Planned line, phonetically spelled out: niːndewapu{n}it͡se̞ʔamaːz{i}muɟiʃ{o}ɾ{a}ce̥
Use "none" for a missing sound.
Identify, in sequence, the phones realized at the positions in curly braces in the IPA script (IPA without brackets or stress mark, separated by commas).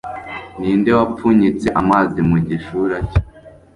ɲ, i, u, a